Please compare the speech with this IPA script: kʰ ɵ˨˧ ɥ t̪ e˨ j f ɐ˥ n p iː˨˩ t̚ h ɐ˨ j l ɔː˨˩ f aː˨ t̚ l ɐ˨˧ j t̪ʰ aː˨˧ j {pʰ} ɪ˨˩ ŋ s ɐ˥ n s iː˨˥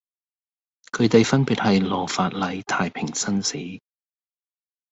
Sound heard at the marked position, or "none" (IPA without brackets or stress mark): pʰ